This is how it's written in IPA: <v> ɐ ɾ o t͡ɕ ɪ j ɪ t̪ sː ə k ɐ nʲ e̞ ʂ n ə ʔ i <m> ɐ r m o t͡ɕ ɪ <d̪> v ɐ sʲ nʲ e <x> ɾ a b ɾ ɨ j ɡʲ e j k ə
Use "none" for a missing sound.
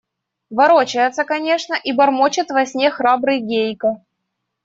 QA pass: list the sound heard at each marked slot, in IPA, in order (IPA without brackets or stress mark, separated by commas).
v, b, t̪, x